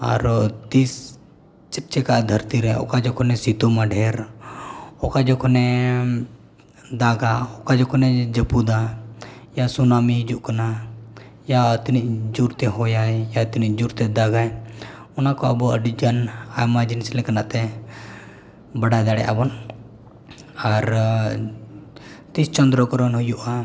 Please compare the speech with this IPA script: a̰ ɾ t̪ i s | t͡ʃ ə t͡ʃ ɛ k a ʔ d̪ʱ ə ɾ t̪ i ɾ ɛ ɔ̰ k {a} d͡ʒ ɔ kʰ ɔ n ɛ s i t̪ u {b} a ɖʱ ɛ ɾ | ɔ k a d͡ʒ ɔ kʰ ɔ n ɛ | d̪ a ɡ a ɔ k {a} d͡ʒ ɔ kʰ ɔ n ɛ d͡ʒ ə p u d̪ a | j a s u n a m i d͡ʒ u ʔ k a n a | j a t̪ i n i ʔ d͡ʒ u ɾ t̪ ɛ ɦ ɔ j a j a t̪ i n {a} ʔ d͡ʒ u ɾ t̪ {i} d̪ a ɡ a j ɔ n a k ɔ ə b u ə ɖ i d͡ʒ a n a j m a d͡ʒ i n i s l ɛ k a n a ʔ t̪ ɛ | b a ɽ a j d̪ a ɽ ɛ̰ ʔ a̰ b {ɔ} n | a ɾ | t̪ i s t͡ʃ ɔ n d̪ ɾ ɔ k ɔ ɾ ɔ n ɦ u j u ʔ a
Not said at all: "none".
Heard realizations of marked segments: a, m, a, i, ɛ, ɔ

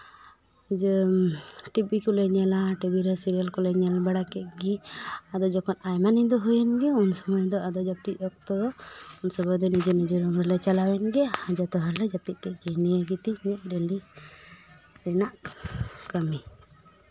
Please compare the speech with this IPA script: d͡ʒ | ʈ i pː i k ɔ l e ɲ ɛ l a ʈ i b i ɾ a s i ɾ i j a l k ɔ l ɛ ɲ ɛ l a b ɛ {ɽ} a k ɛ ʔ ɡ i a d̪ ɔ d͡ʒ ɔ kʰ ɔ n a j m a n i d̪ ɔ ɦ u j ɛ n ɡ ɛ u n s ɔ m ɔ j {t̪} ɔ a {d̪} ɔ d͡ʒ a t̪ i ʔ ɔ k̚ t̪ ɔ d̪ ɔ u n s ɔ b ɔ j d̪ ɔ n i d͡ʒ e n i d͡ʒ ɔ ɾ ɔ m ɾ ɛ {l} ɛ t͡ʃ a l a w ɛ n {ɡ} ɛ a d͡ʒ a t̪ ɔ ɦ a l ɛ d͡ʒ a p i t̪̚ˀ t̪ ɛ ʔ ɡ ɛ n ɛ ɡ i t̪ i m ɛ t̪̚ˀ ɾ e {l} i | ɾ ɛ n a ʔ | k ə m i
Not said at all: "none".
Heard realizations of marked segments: ɽ, d̪, d̪, l, ɡ, l

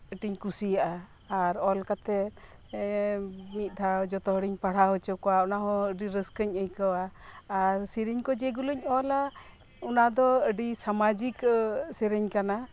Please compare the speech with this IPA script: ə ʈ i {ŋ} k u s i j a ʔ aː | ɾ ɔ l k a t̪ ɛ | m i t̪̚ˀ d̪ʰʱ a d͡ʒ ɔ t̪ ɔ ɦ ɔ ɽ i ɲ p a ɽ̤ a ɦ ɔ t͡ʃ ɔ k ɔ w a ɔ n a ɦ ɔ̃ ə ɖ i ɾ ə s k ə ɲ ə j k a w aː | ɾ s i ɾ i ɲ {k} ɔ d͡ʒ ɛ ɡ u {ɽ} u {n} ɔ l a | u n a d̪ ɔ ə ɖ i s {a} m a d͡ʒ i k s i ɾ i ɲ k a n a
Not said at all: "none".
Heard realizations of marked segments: ɲ, k, l, ɲ, a

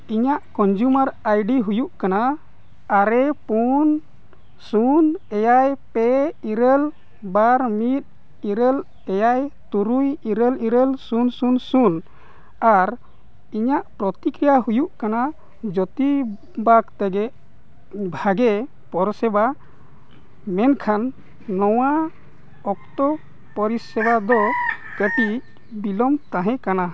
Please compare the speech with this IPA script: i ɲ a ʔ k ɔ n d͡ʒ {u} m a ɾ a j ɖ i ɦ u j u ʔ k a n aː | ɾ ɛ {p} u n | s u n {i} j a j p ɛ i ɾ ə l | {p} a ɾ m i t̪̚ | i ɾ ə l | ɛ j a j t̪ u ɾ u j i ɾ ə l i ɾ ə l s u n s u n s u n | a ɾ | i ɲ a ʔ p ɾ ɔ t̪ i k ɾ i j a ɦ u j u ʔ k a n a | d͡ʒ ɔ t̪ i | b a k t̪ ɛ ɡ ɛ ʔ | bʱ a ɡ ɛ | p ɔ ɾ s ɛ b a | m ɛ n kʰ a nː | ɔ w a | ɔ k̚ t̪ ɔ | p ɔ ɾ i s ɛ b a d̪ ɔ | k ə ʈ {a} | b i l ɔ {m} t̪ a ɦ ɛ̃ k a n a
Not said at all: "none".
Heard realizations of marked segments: u, p, ɛ, b, i, m

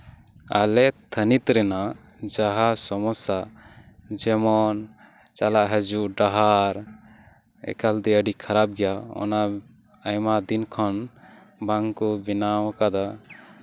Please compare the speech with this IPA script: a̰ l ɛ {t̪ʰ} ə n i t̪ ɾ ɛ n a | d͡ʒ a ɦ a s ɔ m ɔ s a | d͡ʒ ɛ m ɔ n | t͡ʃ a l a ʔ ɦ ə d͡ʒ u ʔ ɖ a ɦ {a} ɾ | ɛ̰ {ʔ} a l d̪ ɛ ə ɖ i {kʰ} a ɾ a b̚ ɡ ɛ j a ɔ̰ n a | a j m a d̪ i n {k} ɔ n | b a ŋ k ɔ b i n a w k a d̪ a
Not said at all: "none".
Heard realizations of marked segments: t̪ʰ, a, k, kʰ, kʰ

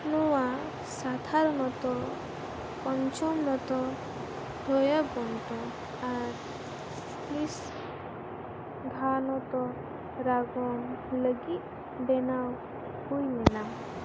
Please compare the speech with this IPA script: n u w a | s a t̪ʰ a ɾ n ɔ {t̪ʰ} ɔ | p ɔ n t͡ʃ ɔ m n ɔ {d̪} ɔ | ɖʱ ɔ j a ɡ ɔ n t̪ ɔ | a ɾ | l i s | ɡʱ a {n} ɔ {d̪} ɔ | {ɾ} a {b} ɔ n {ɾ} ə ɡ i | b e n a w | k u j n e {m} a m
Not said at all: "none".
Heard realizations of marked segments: t̪, t̪, n, t̪, ɾ, ɡ, l, n

